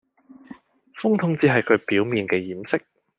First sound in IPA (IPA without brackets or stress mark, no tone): f